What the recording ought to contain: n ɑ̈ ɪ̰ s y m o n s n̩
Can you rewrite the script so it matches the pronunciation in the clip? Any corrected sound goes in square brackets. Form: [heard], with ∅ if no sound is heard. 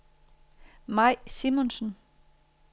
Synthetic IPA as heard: [m] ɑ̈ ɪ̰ s [i] m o n s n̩